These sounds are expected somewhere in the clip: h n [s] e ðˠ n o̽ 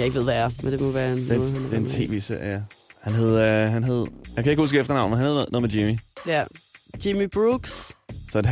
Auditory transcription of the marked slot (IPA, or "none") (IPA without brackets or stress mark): h